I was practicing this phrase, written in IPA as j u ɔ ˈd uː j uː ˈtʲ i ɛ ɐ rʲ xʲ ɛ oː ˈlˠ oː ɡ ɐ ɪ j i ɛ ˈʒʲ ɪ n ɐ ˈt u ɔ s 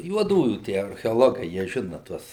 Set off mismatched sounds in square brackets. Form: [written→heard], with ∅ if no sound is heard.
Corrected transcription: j u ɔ ˈd uː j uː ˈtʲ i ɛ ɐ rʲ xʲ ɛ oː ˈlˠ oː ɡ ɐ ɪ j i ɛ ˈʒʲ ɪ n ɐ ˈt u ɔ s